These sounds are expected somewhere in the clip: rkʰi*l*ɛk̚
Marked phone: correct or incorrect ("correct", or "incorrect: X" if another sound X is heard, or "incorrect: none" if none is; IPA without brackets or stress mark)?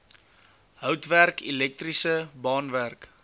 correct